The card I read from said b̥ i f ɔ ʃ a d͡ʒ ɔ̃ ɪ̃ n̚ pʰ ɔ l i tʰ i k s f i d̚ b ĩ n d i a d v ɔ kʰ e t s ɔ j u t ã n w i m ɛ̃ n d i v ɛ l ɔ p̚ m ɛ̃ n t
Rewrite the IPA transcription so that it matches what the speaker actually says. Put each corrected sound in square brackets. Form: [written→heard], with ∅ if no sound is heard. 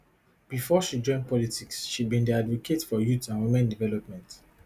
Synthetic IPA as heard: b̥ i f ɔ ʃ [a→i] d͡ʒ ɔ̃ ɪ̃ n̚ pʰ ɔ l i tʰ i k s [f→ʃ] i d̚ b ĩ n d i a d v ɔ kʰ e t [s→f] ɔ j u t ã n w i m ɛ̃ n d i v ɛ l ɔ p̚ m ɛ̃ n t